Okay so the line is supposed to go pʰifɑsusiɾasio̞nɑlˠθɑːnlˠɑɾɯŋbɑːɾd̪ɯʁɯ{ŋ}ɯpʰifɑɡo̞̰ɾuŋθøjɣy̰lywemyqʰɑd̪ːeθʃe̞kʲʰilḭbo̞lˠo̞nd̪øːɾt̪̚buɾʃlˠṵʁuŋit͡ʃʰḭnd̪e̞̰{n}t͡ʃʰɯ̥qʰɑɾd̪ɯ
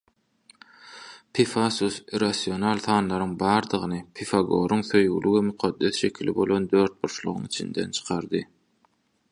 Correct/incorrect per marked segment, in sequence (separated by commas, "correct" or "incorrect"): incorrect, correct